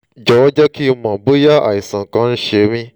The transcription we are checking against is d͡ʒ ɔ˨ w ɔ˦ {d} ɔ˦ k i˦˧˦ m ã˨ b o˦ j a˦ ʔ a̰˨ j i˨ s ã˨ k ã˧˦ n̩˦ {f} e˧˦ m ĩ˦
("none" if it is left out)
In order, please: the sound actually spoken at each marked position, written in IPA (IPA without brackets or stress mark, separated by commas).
d͡ʒ, ʃ